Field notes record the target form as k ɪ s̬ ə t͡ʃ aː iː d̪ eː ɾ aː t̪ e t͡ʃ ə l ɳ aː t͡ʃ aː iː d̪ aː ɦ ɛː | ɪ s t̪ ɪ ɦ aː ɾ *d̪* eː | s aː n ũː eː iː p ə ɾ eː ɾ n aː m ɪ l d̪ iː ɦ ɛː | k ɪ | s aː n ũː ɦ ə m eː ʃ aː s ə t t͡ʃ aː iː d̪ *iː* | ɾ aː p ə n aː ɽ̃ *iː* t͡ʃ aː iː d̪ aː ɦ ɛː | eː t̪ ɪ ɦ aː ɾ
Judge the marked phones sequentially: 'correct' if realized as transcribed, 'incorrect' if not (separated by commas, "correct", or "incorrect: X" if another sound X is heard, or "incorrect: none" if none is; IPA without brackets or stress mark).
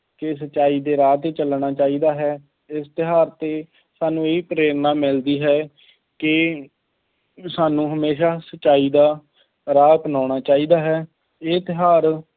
incorrect: t̪, incorrect: aː, incorrect: aː